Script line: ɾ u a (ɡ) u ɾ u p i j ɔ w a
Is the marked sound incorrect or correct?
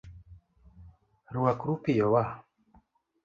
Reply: incorrect